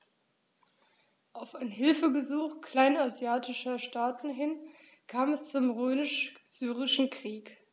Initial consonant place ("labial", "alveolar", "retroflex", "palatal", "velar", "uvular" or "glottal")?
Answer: glottal